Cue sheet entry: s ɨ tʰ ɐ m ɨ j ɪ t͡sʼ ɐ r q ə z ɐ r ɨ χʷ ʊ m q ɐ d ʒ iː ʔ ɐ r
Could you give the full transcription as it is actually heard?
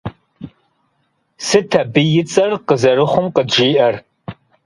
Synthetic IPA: s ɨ tʰ ɐ b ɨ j ɪ t͡sʼ ɐ r q ə z ɐ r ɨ χʷ ʊ m q ə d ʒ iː ʔ ɐ r